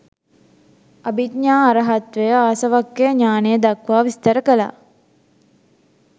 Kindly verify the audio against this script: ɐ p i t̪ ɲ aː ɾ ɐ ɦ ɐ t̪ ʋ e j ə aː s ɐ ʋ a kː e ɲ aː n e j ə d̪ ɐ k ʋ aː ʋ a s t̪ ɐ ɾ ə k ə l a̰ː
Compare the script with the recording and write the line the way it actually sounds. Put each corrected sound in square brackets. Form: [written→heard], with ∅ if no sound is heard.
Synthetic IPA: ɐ [p→b] i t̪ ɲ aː ɾ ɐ ɦ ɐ t̪ ʋ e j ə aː s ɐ ʋ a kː e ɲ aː n e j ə d̪ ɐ k ʋ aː ʋ [a→i] s t̪ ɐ ɾ ə k ə l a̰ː